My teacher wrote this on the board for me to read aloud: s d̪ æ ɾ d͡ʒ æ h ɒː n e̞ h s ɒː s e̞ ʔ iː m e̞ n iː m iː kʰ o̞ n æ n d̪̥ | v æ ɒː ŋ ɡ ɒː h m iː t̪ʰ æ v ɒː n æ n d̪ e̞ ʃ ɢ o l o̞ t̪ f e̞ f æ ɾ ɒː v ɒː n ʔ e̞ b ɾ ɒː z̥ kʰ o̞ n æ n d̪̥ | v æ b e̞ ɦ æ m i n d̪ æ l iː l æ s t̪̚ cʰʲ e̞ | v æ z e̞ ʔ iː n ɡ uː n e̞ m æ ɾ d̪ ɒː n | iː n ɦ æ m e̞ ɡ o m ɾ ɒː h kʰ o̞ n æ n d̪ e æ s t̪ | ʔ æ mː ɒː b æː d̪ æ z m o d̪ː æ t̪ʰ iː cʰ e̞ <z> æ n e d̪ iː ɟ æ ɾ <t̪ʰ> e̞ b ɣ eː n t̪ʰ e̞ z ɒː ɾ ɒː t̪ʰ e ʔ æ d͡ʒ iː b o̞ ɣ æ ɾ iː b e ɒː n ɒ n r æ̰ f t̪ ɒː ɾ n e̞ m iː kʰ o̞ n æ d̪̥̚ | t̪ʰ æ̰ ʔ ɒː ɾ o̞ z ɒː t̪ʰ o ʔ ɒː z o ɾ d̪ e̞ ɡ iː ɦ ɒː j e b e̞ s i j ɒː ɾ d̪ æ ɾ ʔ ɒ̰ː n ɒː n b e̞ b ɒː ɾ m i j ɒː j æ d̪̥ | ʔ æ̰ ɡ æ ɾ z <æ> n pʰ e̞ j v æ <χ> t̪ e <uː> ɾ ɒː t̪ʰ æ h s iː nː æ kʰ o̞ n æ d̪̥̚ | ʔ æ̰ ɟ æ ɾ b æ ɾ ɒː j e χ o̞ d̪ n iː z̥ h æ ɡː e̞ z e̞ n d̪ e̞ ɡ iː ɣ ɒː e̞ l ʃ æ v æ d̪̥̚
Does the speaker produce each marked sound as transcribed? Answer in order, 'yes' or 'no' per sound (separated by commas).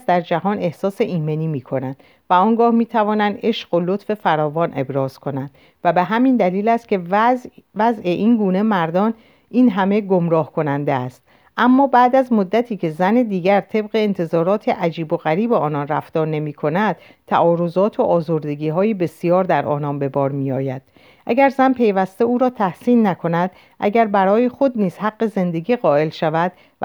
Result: yes, yes, yes, no, yes